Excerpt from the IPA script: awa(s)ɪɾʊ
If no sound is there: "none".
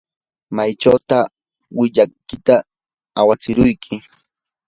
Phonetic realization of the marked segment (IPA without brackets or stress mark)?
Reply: t͡s